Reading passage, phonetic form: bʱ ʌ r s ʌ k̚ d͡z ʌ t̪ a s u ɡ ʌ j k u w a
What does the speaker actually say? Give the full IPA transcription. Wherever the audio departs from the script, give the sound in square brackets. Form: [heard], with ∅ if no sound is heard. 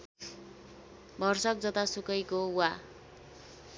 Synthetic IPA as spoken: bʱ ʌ r s ʌ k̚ d͡z ʌ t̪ a s u [k] ʌ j k [o] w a